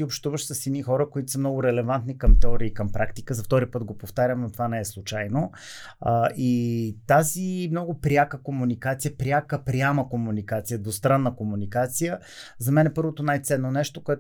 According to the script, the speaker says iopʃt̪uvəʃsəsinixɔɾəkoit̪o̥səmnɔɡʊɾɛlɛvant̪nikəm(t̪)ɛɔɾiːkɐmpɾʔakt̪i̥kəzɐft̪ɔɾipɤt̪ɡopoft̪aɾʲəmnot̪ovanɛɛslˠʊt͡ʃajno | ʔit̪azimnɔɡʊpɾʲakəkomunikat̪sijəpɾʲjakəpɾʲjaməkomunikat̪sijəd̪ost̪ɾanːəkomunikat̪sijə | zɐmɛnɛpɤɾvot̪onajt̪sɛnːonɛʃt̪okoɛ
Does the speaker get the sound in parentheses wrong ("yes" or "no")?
no